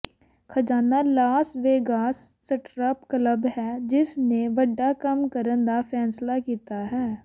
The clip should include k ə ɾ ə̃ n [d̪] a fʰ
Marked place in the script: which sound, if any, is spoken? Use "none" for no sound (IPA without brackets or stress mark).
d̪